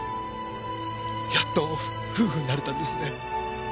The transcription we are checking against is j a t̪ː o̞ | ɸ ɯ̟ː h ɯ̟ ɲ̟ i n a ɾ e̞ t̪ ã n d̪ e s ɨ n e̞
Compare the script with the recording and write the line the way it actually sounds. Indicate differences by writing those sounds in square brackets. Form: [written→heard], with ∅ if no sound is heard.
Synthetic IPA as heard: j a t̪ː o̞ | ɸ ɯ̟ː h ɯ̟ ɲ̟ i n a ɾ e̞ t̪ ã n d̪ e s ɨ n e̞